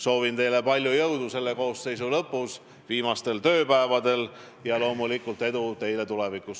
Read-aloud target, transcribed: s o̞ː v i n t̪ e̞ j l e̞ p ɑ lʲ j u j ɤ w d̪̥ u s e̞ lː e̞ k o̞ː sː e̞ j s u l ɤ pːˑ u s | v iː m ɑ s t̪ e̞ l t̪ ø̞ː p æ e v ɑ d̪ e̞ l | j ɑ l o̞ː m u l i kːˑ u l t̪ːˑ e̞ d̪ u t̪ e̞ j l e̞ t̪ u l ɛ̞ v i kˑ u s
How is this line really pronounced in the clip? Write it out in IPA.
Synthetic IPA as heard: s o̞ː v i n t̪ e̞ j l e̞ p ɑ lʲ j u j ɤ w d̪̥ u s e̞ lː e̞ k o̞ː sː e̞ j s u l ɤ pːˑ u s | v iː m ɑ s t̪ e̞ l t̪ ø̞ː p æ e v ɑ d̪ e̞ l | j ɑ l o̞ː m u l i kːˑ u l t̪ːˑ e̞ d̪ u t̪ e̞ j l e̞ t̪ u l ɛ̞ v i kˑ u s